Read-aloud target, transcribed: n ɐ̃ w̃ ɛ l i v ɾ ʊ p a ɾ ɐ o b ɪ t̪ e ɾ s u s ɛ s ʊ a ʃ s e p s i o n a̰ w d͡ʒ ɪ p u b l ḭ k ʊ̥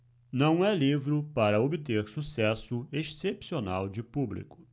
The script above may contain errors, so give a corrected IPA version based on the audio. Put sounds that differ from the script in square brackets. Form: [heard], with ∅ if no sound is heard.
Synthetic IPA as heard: n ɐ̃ w̃ ɛ l i v ɾ ʊ p a ɾ ɐ o b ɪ t̪ e ɾ s u s ɛ s ʊ [e] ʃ s e p s i o n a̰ w d͡ʒ ɪ p u b l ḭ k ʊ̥